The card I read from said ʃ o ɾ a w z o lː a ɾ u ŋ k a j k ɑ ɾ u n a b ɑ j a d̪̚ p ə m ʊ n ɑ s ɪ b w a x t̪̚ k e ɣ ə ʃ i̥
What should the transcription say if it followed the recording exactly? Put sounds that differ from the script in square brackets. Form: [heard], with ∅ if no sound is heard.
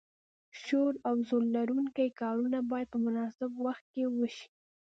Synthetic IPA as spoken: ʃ o ɾ a w z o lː a ɾ u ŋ k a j k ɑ ɾ u n a b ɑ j a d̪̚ p ə m ʊ n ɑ s ɪ b w a x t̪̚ k e [w] ə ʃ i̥